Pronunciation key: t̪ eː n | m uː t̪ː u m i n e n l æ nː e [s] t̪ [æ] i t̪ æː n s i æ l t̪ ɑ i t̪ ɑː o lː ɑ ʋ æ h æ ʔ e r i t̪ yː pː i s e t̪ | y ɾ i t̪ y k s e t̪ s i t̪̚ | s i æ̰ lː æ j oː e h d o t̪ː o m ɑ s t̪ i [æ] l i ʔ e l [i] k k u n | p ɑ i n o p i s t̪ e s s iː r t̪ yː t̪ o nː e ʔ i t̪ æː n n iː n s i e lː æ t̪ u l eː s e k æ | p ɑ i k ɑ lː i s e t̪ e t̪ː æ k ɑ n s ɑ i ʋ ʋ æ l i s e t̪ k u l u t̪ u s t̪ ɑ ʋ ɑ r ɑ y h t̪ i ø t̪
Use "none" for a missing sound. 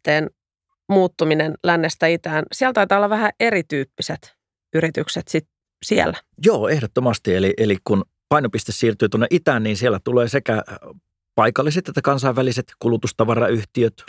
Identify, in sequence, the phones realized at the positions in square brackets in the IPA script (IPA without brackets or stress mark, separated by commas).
s, æ, e, i